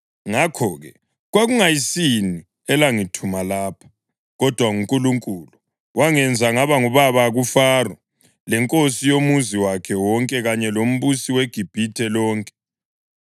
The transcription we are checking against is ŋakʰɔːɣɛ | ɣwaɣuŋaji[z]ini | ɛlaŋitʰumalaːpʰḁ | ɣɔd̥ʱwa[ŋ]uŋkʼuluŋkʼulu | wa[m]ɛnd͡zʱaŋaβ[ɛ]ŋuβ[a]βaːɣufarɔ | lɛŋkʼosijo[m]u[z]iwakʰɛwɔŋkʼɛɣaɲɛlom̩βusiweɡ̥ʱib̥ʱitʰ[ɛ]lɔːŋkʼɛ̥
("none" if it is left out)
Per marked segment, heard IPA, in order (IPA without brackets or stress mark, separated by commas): s, ŋ, ŋ, a, a, m, z, ɛ